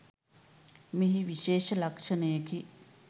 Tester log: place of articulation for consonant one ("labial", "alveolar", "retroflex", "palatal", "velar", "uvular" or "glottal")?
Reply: labial